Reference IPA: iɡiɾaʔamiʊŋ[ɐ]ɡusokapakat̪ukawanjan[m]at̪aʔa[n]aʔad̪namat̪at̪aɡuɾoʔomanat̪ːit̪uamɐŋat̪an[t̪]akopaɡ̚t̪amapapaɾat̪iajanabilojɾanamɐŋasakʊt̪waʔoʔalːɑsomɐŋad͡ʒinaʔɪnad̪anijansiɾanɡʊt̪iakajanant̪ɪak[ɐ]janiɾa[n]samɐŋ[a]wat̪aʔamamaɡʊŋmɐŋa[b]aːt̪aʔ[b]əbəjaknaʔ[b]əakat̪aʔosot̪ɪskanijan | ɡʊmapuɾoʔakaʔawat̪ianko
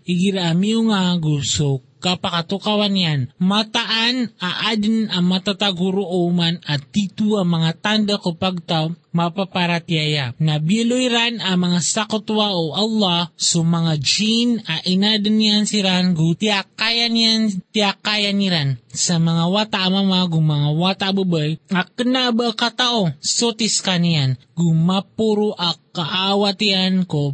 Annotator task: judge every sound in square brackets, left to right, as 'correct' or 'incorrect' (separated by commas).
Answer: incorrect, correct, correct, incorrect, incorrect, correct, correct, incorrect, correct, correct